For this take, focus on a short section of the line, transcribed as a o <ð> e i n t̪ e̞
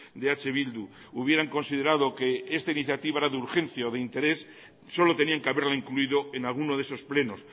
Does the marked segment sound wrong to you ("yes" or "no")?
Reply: no